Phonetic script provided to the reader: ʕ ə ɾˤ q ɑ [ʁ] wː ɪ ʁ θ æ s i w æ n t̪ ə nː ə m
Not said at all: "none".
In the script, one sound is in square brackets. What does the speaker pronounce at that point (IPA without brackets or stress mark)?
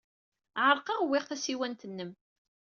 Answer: ʁ